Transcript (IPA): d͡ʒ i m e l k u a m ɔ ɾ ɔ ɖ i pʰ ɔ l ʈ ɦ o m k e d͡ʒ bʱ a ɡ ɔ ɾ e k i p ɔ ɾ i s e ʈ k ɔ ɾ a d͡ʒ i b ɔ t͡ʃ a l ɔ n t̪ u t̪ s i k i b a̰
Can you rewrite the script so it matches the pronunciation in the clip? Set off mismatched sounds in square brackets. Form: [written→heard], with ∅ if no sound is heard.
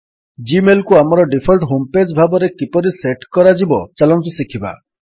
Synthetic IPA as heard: d͡ʒ i m e l k u a m ɔ ɾ ɔ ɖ i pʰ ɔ l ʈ ɦ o m [k→p] e d͡ʒ bʱ a [ɡ→b] ɔ ɾ e k i p ɔ ɾ i s e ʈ k ɔ ɾ a d͡ʒ i b ɔ t͡ʃ a l ɔ n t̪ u [t̪→∅] s i [k→kʰ] i b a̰